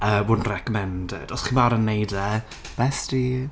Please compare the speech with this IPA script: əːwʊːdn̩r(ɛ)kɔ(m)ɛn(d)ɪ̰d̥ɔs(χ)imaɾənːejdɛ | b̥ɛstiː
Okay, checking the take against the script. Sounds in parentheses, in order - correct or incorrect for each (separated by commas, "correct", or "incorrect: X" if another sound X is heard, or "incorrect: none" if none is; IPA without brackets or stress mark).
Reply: correct, correct, correct, correct